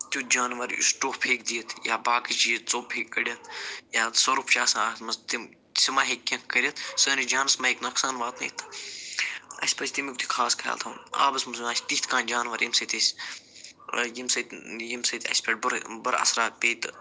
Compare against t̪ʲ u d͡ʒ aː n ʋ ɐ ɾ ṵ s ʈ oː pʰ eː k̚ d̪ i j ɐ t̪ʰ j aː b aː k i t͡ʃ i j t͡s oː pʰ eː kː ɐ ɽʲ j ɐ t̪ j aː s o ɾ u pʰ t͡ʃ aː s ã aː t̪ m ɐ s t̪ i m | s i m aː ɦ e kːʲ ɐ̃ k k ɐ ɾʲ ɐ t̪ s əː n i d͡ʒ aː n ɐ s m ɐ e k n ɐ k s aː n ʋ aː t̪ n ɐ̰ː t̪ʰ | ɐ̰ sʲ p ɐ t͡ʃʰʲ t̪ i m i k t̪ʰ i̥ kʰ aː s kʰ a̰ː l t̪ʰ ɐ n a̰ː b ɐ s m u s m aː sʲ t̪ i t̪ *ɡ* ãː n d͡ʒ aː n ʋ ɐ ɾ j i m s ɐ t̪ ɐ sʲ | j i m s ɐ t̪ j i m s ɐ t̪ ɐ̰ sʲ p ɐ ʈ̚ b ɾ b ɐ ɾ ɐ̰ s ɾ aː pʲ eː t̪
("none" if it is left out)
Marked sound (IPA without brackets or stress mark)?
k